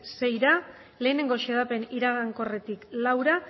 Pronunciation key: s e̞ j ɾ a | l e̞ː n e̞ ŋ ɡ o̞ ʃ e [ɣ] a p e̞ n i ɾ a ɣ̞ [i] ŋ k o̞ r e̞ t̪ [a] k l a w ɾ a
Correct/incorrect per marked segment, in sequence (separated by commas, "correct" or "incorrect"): incorrect, incorrect, incorrect